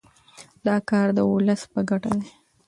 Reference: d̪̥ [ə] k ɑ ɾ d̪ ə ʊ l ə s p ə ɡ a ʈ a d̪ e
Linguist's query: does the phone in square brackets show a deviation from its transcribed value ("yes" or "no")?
yes